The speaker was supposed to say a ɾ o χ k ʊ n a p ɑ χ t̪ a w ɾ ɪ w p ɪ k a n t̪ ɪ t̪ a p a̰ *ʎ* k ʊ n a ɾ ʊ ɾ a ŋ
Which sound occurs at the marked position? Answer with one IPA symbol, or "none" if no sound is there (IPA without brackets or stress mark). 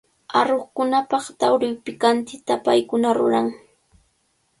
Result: j